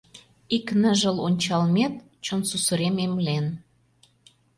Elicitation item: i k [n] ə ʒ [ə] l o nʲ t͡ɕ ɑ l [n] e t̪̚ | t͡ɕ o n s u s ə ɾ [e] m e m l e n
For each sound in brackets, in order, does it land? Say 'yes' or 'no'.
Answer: yes, yes, no, yes

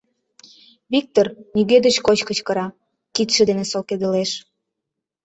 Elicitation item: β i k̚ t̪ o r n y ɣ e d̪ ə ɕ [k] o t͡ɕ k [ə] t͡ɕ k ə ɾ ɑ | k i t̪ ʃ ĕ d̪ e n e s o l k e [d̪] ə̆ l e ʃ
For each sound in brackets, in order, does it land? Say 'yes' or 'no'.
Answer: yes, yes, yes

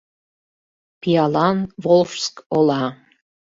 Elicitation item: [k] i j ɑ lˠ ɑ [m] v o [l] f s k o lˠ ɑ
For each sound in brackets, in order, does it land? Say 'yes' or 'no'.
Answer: no, no, yes

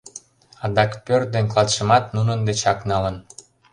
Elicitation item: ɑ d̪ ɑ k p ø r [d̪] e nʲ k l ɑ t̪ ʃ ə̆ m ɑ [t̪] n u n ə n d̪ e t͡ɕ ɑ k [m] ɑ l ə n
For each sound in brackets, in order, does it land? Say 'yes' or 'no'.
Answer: yes, yes, no

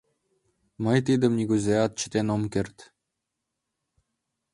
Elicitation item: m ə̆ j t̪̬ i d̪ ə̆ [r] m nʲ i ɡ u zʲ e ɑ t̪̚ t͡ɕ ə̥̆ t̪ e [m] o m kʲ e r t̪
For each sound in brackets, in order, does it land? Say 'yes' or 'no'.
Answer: no, no

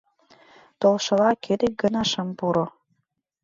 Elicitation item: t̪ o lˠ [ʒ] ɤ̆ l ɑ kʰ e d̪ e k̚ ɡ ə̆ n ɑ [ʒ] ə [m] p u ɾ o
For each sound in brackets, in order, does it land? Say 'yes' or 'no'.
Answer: no, no, yes

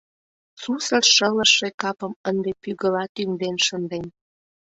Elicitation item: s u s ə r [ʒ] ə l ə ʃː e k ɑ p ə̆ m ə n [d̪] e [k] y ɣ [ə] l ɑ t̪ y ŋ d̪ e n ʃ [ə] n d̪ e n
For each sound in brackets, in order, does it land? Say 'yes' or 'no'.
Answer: no, yes, no, yes, yes

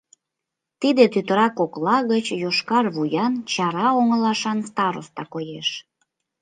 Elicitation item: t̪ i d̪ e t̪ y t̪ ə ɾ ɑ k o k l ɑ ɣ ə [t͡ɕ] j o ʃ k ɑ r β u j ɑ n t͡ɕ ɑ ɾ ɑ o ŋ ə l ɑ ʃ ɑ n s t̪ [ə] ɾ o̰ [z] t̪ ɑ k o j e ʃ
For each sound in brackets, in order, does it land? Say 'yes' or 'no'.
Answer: yes, no, no

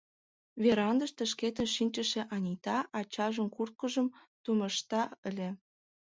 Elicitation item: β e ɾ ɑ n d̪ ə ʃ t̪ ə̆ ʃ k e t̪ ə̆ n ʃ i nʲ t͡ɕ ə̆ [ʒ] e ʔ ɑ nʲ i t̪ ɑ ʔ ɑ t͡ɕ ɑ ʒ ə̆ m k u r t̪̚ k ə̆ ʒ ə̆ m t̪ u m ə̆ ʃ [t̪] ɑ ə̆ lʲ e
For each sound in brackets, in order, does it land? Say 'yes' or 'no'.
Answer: no, yes

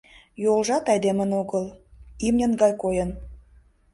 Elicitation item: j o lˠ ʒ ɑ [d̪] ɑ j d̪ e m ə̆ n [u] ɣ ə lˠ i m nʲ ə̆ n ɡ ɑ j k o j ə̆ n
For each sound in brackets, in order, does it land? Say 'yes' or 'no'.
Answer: no, no

